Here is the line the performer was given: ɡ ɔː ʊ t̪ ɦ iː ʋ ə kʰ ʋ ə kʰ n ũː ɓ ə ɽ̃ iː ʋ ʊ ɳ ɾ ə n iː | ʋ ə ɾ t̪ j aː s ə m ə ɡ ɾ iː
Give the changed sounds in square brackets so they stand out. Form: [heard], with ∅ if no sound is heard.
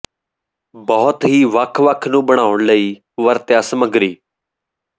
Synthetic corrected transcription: [b] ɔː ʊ t̪ ɦ iː ʋ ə kʰ ʋ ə kʰ n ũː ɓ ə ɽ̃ [aː] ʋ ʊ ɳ [l] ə [∅] iː | ʋ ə ɾ t̪ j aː s ə m ə ɡ ɾ iː